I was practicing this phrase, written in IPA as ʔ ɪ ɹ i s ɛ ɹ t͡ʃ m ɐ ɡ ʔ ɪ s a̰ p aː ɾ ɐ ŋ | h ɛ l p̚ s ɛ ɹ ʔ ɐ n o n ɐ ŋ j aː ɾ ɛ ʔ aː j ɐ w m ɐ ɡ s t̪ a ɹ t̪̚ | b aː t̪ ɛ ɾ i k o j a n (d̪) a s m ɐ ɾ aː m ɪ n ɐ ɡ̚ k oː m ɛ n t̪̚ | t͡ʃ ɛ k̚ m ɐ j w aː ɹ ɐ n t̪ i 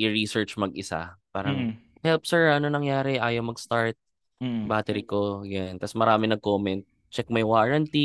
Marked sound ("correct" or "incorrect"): incorrect